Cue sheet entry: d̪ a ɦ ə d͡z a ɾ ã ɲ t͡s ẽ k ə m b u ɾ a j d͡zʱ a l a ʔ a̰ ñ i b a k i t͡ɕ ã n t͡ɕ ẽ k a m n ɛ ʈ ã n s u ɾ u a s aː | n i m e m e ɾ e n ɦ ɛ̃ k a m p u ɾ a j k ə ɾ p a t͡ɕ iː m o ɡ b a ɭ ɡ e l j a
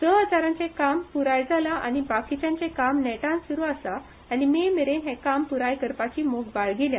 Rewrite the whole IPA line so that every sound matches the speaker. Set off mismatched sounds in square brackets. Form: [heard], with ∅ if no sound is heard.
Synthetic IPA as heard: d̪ [ə] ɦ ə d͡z a ɾ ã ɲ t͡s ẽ k [a] m [p] u ɾ a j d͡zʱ a l a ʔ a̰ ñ i b a k i t͡ɕ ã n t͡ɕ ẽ k a m n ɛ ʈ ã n s u ɾ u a s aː | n i m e m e ɾ e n ɦ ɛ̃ k a m p u ɾ a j k ə ɾ p a t͡ɕ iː m o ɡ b a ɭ ɡ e l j a

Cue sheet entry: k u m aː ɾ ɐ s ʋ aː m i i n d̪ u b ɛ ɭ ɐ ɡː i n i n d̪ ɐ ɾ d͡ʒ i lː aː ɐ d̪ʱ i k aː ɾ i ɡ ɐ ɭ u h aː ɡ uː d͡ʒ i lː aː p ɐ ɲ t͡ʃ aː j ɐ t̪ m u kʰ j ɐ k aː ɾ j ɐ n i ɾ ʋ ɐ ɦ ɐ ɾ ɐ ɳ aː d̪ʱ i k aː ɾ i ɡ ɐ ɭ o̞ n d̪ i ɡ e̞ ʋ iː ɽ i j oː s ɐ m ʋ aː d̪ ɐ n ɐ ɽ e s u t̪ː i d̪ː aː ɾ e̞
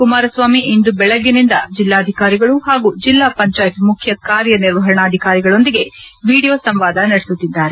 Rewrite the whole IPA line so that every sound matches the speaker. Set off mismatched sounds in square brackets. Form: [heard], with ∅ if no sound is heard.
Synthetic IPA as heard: k u m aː ɾ ɐ s ʋ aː m i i n d̪ u b ɛ ɭ ɐ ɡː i n i n d̪ ɐ [∅] d͡ʒ i lː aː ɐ d̪ʱ i k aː ɾ i ɡ ɐ ɭ u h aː ɡ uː d͡ʒ i lː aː p ɐ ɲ t͡ʃ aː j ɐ t̪ m u kʰ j ɐ k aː ɾ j ɐ n i ɾ ʋ ɐ ɦ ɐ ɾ ɐ ɳ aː d̪ʱ i k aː ɾ i ɡ ɐ ɭ o̞ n d̪ i ɡ e̞ ʋ iː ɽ i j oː s ɐ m ʋ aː d̪ ɐ n ɐ ɽ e s u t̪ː i d̪ː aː ɾ e̞

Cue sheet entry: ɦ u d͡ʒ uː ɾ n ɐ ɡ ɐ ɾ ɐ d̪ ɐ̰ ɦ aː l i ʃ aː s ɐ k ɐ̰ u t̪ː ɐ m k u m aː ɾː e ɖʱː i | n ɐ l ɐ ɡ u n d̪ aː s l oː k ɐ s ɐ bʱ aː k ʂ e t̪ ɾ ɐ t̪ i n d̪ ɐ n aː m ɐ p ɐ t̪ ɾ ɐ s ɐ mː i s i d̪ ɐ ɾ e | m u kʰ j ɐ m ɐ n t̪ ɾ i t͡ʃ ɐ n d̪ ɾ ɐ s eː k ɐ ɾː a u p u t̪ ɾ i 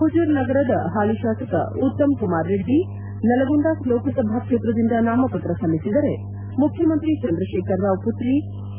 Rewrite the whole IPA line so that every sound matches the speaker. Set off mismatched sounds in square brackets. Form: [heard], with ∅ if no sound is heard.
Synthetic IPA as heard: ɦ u d͡ʒ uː ɾ n ɐ ɡ ɐ ɾ ɐ d̪ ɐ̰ ɦ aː l i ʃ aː s ɐ k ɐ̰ u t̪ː ɐ m k u m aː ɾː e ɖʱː i | n ɐ l ɐ ɡ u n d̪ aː s l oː k ɐ s ɐ bʱ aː k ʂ e t̪ ɾ ɐ [d̪] i n d̪ ɐ n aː m ɐ p ɐ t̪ ɾ ɐ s ɐ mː i s i d̪ ɐ ɾ e | m u kʰ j ɐ m ɐ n t̪ ɾ i t͡ʃ ɐ n d̪ ɾ ɐ [ʃ] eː k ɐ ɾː a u p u t̪ ɾ i

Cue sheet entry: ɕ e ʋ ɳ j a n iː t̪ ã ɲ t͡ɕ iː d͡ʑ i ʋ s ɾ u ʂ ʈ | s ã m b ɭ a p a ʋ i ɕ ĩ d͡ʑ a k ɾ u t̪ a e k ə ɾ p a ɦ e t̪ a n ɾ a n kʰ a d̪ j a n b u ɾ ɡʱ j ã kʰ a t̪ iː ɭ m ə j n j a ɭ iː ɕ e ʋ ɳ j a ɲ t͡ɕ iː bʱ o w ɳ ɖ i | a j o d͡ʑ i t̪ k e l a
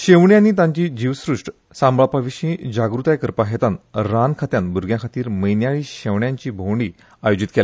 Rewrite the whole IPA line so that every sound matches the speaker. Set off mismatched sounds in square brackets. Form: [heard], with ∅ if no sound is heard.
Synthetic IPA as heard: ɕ e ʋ ɳ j a n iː t̪ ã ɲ t͡ɕ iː d͡ʑ i ʋ s ɾ u ʂ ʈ | s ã m b ɭ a p a ʋ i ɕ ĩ d͡ʑ a [ɡ] ɾ u t̪ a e k ə ɾ p a ɦ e t̪ a n ɾ a n kʰ a [t̪] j a n b u ɾ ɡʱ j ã kʰ a t̪ iː [ɾ] m ə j n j a ɭ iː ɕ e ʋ ɳ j a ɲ t͡ɕ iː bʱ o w ɳ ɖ i | a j o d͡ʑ i t̪ k e l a

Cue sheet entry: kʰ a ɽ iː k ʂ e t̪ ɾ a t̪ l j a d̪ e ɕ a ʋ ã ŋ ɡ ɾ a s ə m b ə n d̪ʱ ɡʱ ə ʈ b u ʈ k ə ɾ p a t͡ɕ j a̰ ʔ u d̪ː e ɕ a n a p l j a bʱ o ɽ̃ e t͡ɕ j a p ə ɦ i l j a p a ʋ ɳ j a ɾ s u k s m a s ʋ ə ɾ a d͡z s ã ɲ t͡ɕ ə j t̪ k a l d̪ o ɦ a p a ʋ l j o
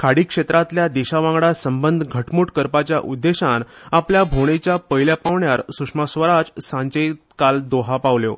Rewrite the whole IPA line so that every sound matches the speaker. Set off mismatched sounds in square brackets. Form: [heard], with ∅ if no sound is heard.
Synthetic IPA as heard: kʰ a ɽ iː k ʂ e t̪ ɾ a t̪ l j a d̪ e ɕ a ʋ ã ŋ ɡ [ɽ] a s ə m b ə n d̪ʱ ɡʱ ə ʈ [m] u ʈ k ə ɾ p a t͡ɕ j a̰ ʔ u d̪ː e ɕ a n a p l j a bʱ o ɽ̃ e t͡ɕ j a p ə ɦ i l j a p a ʋ ɳ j a ɾ s u k [ʂ] m a s ʋ ə ɾ a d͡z s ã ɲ t͡ɕ ə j t̪ k a l d̪ o ɦ a p a ʋ l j o

